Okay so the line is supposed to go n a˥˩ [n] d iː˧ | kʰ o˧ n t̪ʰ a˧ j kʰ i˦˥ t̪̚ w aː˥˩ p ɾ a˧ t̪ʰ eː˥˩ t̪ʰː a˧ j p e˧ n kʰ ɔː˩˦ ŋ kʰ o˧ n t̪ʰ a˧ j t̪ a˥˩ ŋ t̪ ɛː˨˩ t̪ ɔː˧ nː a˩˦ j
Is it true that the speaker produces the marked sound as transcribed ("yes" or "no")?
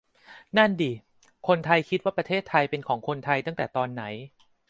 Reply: yes